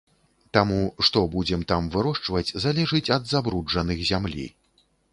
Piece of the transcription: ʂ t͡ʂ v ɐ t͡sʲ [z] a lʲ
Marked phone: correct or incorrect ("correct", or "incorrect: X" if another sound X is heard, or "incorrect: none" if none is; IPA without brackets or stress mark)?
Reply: correct